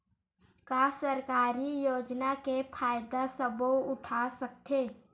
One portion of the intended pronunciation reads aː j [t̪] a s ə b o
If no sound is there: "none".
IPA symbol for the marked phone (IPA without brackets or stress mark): d̪